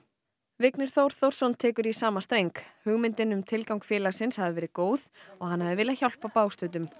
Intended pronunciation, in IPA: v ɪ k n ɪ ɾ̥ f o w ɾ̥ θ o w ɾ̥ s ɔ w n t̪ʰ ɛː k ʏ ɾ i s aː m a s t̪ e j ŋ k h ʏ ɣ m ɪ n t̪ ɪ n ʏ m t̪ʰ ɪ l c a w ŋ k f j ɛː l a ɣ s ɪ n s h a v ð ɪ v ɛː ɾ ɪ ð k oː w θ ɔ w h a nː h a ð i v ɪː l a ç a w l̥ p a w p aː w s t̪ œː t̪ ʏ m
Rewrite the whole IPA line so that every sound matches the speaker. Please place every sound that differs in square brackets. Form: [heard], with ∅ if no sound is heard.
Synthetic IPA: v ɪ k n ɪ ɾ̥ [θ] o w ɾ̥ θ o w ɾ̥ s ɔ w n t̪ʰ ɛː k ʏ ɾ i s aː m a s t̪ e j ŋ k h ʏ ɣ m ɪ n t̪ ɪ n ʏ m t̪ʰ ɪ l [k] a w ŋ k f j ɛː l a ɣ s ɪ n s h a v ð ɪ v ɛː ɾ ɪ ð k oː w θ ɔ [ɣ] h a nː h a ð [ɪ] v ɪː l a ç a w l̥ p a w p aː w s t̪ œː t̪ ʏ m